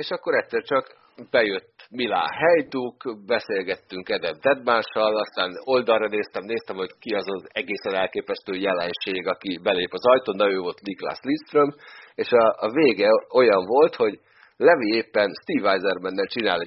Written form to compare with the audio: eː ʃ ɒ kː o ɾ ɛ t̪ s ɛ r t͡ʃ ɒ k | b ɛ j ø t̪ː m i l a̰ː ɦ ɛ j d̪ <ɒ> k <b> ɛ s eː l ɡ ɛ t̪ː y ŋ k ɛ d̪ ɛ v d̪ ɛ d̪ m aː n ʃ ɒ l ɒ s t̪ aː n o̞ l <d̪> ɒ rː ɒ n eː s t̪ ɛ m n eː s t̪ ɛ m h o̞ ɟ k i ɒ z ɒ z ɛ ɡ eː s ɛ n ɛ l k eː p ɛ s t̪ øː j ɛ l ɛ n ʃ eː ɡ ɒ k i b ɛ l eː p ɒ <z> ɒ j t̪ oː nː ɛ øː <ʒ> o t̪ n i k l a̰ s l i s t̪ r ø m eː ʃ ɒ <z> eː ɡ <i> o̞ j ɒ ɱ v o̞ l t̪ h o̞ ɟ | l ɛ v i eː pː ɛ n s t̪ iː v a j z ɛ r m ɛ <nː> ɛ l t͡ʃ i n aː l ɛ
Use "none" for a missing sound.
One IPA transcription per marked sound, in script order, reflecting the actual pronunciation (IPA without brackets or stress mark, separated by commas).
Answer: u, b, d̪, z, v, v, ɛ, nː